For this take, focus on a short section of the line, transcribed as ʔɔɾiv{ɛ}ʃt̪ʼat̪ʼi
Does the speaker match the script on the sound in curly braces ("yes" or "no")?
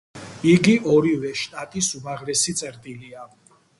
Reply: yes